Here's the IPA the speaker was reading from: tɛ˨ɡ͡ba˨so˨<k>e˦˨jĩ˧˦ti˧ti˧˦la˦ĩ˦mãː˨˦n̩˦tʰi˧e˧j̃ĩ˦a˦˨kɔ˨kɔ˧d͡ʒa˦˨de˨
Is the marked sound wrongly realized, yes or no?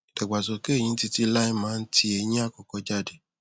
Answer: no